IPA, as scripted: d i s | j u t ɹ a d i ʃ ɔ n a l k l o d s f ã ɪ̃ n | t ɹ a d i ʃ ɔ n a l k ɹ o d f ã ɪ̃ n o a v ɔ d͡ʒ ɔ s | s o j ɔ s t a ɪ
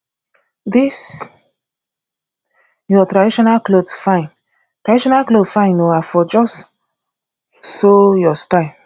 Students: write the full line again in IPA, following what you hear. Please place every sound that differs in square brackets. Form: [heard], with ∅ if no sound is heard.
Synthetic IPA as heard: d i s | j [ɔ] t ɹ a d i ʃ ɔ n a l k l o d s f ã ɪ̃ n | t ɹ a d i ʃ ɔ n a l k [l] o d f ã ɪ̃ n o a [f] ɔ d͡ʒ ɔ s | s o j ɔ s t a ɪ